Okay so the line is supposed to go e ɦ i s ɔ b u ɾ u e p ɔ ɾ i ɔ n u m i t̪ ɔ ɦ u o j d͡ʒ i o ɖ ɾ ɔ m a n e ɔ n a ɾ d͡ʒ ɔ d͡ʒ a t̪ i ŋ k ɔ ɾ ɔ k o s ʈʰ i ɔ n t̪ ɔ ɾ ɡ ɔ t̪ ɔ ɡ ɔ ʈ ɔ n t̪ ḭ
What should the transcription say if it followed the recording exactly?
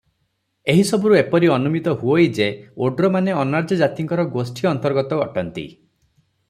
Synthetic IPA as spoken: e ɦ i s ɔ b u ɾ u e p ɔ ɾ i ɔ n u m i t̪ ɔ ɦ u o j d͡ʒ e o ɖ ɾ ɔ m a n e ɔ n a ɾ d͡ʒ ɔ d͡ʒ a t̪ i ŋ k ɔ ɾ ɔ ɡ o s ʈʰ i ɔ n t̪ ɔ ɾ ɡ ɔ t̪ ɔ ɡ ɔ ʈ ɔ n t̪ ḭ